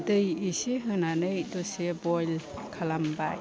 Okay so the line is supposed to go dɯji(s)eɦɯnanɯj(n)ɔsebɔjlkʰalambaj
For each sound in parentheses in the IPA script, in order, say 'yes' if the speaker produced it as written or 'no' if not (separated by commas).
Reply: yes, no